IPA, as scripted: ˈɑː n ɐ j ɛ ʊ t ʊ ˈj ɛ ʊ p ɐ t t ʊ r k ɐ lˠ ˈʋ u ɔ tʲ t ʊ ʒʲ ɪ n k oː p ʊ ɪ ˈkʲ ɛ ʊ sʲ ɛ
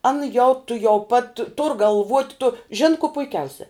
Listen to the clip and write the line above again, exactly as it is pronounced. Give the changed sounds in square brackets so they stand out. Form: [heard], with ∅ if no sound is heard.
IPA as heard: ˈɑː n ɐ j ɛ ʊ t ʊ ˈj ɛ ʊ p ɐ t t ʊ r [ɡ] ɐ lˠ ˈʋ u ɔ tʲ t ʊ ʒʲ ɪ n k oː p ʊ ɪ ˈkʲ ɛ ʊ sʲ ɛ